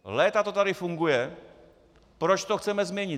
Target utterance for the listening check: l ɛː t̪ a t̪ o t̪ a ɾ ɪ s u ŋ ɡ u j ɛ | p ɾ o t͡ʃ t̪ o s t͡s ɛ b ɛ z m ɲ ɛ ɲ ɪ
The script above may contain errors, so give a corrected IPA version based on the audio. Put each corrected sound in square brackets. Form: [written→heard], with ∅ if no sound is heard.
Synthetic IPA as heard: l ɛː t̪ a t̪ o t̪ a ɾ ɪ [s→f] u ŋ ɡ u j ɛ | p ɾ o t͡ʃ t̪ o [s→x] t͡s ɛ [b→m] ɛ z m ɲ ɛ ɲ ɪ